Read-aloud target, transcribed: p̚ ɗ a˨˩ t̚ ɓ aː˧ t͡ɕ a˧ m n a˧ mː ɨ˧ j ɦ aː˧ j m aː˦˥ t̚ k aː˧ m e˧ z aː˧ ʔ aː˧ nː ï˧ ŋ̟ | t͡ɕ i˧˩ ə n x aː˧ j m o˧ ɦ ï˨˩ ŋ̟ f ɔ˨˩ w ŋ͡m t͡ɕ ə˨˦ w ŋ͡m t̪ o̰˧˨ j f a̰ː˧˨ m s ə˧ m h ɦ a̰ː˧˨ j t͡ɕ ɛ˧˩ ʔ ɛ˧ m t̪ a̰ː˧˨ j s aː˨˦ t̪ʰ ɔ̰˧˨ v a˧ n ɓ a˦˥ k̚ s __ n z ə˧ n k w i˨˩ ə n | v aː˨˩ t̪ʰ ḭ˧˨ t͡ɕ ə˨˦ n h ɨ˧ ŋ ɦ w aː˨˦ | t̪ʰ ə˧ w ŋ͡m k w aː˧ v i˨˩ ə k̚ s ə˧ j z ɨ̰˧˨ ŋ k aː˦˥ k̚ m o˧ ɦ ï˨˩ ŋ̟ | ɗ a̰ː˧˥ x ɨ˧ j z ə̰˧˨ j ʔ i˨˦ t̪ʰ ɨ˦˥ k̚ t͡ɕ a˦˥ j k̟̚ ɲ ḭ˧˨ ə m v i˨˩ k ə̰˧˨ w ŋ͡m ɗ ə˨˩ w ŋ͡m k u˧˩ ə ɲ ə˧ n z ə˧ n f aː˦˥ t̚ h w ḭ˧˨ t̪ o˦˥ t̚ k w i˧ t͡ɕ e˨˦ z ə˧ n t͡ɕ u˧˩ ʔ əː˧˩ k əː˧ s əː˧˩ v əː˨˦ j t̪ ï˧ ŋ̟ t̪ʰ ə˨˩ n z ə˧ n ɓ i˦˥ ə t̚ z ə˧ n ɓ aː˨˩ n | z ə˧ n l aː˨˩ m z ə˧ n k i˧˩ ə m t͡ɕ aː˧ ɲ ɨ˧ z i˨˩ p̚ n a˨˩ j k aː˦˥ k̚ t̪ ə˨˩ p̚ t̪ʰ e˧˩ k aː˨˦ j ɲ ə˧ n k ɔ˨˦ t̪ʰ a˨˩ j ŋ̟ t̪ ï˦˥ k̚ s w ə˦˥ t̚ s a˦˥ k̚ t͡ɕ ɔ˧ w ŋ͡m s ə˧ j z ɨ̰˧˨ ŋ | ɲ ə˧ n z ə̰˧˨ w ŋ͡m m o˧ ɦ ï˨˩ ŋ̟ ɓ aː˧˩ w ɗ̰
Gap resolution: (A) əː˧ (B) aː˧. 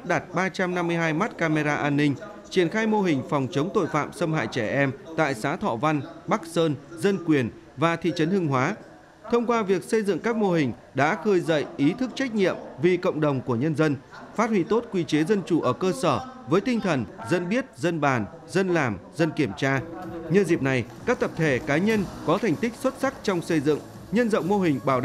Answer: A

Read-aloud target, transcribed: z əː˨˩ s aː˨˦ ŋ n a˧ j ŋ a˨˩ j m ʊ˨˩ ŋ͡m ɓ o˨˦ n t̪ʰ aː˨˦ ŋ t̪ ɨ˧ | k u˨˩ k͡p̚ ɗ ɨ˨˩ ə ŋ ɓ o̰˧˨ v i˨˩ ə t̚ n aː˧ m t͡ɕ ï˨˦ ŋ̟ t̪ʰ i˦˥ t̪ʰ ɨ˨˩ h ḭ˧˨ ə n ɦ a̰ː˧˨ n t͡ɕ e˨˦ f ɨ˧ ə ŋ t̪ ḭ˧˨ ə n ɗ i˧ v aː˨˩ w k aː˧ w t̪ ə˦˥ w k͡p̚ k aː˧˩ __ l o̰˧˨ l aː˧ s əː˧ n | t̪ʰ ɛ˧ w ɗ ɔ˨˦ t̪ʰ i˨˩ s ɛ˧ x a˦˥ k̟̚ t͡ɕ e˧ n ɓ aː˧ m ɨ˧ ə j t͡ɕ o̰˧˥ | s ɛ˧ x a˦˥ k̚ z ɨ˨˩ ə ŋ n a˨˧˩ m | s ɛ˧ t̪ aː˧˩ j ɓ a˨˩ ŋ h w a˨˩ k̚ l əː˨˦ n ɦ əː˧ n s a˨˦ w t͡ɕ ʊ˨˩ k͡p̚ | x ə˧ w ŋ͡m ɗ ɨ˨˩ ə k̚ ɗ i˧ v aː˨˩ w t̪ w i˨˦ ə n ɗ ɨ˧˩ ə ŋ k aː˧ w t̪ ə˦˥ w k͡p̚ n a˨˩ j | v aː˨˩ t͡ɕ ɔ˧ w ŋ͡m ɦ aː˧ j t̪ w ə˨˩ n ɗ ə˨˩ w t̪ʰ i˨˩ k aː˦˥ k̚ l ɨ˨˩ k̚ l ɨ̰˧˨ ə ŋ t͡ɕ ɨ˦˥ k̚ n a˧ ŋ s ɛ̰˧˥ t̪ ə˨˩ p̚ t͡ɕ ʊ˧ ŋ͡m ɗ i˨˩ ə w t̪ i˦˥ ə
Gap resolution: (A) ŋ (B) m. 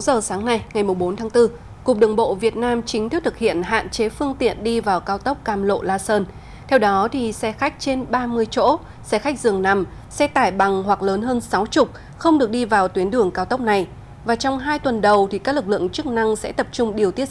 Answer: B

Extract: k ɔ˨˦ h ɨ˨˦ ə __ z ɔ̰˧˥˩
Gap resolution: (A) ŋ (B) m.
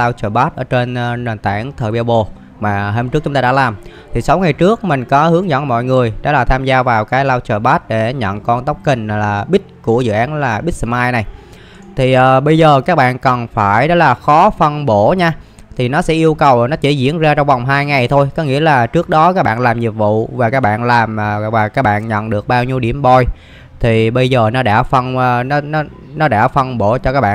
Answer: A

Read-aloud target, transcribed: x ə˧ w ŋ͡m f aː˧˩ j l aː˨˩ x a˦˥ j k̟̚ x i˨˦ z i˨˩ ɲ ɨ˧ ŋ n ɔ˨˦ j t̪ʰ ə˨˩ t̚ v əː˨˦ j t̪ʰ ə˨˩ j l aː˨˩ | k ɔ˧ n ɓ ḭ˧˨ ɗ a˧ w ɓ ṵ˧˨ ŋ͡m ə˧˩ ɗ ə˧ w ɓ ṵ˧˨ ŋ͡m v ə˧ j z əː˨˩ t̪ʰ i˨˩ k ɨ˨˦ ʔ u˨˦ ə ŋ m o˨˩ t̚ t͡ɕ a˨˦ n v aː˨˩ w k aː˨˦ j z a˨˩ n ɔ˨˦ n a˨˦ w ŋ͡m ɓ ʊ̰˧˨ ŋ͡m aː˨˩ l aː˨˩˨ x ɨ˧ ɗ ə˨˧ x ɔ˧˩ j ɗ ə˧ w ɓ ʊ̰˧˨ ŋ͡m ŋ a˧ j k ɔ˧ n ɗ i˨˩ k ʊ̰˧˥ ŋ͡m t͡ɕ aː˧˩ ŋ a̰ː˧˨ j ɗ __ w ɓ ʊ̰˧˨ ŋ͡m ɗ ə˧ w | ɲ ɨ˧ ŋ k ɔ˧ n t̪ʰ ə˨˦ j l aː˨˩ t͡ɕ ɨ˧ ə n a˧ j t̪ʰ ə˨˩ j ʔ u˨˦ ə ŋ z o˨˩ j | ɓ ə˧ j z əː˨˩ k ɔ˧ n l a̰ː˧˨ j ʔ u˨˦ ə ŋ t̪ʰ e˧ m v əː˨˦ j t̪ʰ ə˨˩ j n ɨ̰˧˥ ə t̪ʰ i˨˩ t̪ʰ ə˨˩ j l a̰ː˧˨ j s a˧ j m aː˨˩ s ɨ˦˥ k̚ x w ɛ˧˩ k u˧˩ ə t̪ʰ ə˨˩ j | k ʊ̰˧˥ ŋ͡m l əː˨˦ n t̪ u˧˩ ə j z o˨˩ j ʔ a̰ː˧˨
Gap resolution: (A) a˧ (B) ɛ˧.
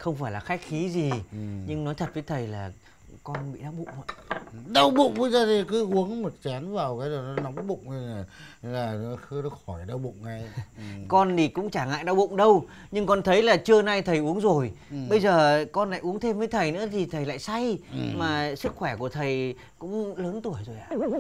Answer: A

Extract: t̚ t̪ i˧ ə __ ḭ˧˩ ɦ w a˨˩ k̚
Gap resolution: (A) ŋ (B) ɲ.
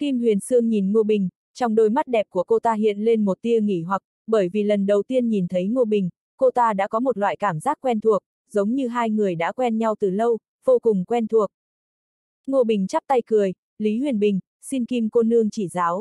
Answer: A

